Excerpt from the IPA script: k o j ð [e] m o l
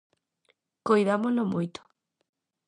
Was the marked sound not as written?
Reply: yes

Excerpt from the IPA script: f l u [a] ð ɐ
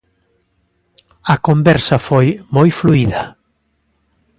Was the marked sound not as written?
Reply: yes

